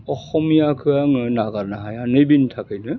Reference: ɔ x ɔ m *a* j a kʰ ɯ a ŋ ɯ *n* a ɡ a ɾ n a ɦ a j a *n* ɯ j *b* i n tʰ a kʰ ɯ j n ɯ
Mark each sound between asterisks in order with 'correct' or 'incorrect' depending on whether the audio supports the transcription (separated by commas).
incorrect, correct, correct, correct